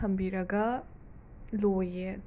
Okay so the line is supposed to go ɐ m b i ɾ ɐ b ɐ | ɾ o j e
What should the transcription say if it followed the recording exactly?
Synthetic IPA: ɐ m b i ɾ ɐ ɡ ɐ | l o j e

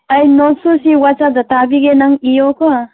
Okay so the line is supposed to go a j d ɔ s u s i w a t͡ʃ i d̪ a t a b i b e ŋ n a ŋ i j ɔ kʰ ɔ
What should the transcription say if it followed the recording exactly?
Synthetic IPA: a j n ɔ s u s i w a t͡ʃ a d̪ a t a b i ɡ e n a ŋ i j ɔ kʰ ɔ

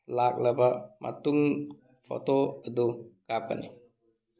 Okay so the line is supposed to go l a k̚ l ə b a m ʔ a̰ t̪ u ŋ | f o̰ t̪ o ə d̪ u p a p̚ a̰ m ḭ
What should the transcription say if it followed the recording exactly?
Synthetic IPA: l a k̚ l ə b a m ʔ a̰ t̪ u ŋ | f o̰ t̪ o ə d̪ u k a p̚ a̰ n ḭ

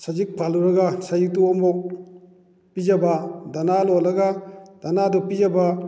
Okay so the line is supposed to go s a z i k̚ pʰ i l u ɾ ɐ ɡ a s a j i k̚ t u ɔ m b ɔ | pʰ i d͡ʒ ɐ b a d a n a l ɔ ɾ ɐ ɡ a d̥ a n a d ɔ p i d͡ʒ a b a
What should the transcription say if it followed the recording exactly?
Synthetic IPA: s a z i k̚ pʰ a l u ɾ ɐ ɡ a s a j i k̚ t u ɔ m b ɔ | p i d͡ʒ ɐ b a d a n a l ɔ l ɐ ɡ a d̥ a n a d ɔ p i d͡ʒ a b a

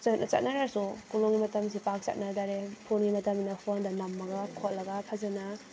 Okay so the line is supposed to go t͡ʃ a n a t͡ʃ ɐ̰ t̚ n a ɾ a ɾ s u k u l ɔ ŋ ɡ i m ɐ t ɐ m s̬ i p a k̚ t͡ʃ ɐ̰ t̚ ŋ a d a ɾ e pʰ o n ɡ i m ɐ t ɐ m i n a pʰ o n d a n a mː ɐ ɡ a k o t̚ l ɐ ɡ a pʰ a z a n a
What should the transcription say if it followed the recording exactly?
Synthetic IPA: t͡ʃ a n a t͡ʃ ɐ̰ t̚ n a ɾ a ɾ s u k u l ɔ ŋ ɡ i m ɐ t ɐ m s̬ i p a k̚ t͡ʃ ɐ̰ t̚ n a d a ɾ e pʰ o n ɡ i m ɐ t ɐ m i n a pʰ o n d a n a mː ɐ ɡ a kʰ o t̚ l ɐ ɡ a pʰ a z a n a

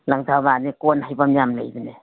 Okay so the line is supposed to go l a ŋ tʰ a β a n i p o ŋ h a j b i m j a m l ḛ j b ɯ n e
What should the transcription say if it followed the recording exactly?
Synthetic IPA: l a ŋ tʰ a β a n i k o n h a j b a m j a m l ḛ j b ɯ n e

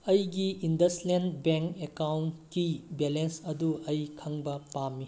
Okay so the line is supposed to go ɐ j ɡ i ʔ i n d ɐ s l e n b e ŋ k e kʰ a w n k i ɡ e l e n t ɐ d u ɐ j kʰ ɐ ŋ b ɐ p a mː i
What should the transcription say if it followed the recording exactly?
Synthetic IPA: ɐ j ɡ i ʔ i n d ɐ s l e n b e ŋ k e k a w n k i b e l e n s ɐ d u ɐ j kʰ ɐ ŋ b ɐ p a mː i

